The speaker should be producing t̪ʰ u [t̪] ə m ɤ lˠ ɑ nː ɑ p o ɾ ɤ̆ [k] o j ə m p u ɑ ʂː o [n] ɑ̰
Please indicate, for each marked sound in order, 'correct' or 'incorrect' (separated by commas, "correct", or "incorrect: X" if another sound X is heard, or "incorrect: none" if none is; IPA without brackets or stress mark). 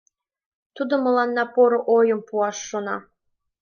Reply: incorrect: d̪, incorrect: ʔ, correct